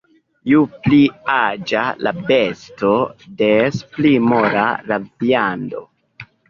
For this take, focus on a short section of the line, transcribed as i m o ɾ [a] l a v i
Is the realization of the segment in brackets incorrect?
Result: no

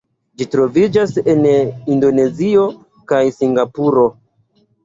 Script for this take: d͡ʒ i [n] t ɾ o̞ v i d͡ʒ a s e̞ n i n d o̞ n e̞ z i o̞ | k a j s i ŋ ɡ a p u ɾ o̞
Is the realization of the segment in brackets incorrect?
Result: yes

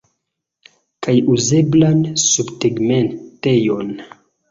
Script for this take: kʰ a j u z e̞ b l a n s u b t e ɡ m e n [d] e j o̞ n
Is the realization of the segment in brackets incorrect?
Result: yes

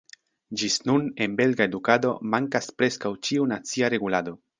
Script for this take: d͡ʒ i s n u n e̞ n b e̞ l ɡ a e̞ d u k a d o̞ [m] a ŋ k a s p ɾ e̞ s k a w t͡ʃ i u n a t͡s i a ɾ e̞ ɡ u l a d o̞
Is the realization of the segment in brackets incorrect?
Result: no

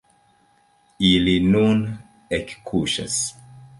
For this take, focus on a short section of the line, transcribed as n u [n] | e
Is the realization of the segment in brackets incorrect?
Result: no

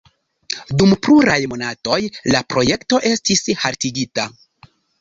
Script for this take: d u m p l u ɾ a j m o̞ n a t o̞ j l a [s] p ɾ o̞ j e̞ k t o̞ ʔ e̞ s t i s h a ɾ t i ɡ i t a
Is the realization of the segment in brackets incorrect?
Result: yes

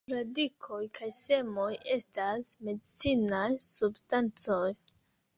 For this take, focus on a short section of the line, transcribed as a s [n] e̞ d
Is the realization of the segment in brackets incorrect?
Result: yes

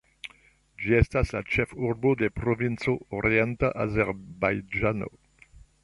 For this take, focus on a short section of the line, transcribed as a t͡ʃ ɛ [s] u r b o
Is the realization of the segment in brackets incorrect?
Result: yes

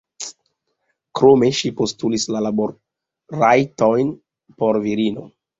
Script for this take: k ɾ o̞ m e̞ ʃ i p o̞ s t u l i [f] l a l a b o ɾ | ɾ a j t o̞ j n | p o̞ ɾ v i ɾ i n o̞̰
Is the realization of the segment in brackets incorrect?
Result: yes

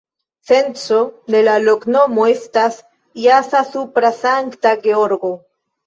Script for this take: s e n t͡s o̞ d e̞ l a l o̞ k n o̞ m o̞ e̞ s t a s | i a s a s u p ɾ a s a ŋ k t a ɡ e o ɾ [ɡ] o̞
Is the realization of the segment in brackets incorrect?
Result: no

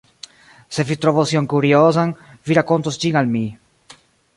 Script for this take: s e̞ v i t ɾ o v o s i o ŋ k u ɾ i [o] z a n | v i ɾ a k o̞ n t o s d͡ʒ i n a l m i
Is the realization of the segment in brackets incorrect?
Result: no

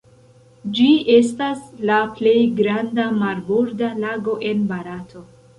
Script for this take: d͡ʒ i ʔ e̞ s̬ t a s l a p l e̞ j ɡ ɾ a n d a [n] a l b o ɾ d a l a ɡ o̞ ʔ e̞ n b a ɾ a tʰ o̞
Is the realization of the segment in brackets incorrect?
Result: yes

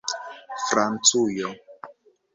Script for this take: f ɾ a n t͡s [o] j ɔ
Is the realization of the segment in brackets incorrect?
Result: yes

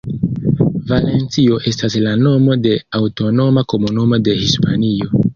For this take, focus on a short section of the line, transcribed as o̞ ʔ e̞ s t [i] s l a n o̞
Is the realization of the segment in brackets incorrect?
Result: yes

